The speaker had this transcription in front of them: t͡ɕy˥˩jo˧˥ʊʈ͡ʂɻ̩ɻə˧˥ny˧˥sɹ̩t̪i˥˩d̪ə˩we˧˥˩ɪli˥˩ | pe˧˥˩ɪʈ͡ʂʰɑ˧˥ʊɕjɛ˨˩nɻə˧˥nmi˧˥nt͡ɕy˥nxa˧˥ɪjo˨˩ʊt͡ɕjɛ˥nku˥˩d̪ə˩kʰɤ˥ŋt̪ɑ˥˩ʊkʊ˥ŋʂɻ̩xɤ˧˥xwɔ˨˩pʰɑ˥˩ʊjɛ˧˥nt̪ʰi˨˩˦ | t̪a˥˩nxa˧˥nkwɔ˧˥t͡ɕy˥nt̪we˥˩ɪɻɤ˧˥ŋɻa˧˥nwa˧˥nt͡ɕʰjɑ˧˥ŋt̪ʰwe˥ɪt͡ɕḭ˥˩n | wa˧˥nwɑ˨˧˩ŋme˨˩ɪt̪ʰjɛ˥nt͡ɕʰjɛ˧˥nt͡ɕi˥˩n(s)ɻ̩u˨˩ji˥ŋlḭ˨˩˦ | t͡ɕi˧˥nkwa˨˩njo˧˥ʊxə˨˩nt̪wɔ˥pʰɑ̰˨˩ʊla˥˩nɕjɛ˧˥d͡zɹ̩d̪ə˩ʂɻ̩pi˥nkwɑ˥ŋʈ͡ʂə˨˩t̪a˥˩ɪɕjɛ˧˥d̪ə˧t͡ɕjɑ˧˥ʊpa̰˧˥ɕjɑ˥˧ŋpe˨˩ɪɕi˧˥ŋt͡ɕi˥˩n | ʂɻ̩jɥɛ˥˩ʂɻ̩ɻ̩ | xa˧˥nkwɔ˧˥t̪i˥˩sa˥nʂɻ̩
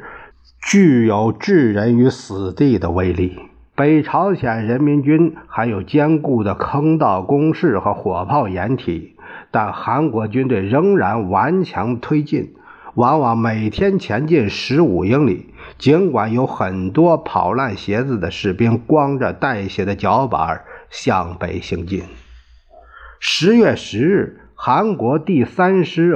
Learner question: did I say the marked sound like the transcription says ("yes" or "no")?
no